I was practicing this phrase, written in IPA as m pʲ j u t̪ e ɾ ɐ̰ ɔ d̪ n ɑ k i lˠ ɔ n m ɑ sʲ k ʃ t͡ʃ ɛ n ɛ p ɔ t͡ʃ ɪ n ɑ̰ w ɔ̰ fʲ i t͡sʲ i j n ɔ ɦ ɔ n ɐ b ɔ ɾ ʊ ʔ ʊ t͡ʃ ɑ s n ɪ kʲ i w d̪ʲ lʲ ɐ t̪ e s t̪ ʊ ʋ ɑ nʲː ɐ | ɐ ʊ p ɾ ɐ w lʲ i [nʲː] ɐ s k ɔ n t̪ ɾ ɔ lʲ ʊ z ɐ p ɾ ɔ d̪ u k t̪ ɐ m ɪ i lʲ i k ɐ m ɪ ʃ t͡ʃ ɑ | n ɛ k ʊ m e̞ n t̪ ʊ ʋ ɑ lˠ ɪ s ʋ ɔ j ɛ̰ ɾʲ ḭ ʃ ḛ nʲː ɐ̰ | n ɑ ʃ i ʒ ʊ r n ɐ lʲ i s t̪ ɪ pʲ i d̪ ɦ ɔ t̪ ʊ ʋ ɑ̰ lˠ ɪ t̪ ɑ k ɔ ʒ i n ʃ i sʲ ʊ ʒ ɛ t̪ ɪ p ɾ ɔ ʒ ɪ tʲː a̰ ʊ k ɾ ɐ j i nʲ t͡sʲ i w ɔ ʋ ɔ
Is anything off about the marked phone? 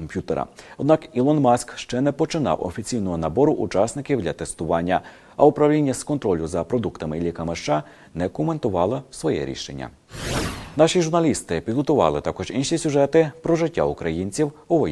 no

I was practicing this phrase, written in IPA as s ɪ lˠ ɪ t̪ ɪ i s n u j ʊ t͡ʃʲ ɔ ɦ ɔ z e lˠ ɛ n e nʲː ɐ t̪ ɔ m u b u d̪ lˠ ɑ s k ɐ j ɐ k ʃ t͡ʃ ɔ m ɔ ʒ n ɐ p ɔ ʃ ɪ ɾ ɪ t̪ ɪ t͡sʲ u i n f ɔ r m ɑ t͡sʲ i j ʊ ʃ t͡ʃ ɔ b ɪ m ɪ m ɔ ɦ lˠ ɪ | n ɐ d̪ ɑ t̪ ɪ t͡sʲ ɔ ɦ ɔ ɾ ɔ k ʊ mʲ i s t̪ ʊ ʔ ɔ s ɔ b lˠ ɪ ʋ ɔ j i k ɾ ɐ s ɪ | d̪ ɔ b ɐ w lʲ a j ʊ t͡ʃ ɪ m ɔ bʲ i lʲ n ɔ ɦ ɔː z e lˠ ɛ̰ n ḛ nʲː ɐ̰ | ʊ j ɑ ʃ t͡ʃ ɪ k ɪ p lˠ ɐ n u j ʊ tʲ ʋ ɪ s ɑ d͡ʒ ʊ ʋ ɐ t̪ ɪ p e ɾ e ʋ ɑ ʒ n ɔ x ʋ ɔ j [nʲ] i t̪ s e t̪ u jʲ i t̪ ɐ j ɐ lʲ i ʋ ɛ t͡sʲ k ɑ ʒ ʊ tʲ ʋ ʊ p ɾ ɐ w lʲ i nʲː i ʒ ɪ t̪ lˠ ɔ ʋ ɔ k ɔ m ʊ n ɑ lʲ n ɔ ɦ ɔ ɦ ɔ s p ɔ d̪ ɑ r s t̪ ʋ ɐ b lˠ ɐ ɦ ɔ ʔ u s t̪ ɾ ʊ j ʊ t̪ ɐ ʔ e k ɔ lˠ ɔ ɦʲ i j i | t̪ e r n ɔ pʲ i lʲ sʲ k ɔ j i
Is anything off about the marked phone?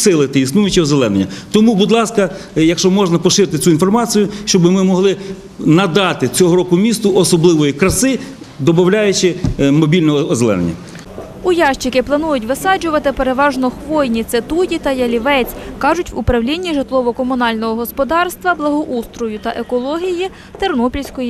no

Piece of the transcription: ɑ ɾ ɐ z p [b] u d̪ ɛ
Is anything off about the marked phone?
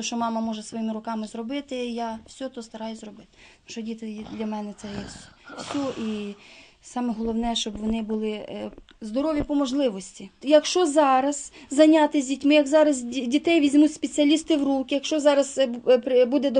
no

